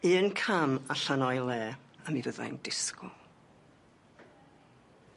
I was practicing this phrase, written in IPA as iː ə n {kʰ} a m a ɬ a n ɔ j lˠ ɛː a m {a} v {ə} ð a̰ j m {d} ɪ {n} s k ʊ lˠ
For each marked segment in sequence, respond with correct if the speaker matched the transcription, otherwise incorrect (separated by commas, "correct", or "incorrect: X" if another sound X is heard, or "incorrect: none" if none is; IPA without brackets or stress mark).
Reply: correct, incorrect: i, correct, correct, incorrect: none